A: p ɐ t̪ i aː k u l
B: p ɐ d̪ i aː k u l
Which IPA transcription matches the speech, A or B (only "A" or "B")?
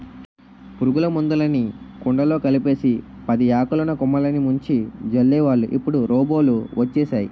B